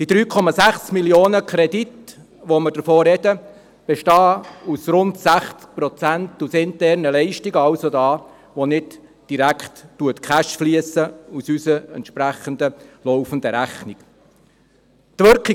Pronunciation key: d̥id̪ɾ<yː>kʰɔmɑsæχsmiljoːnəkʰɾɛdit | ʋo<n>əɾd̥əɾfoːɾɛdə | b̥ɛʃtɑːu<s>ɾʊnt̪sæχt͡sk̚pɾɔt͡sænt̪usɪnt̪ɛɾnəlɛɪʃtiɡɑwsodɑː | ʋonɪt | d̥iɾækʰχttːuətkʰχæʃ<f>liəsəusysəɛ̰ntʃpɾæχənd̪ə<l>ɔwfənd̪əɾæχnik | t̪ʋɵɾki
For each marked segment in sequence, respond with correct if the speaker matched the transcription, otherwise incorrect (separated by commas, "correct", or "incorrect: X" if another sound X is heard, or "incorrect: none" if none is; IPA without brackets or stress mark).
correct, incorrect: m, correct, correct, correct